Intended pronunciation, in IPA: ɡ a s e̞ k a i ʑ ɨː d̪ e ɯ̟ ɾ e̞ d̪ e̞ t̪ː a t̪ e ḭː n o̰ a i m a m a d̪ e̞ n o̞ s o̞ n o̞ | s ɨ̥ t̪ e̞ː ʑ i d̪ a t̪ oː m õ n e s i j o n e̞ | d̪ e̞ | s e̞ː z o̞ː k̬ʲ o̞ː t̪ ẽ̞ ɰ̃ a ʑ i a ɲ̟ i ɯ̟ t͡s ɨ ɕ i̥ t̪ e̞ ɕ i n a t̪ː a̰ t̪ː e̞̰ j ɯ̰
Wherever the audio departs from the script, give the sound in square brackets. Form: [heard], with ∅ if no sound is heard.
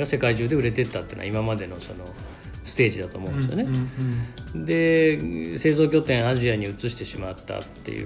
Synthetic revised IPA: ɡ a s e̞ k a i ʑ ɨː d̪ e ɯ̟ ɾ e̞ [t̪] e̞ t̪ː a t̪ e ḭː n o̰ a i m a m a d̪ e̞ n o̞ s o̞ n o̞ | s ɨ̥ t̪ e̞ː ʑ i d̪ a t̪ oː m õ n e s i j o n e̞ | d̪ e̞ | s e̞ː z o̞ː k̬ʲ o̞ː t̪ ẽ̞ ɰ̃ a ʑ i a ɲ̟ i ɯ̟ t͡s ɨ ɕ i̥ t̪ e̞ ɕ i [m] a t̪ː a̰ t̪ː e̞̰ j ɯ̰